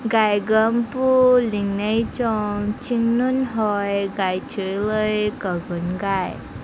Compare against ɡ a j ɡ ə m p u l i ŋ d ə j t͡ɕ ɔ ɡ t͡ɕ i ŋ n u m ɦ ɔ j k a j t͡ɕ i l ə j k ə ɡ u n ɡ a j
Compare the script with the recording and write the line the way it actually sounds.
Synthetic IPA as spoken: ɡ a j ɡ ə m p u l i ŋ n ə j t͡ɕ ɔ ŋ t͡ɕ i ŋ n u n ɦ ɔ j ɡ a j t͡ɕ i l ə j k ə ɡ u n ɡ a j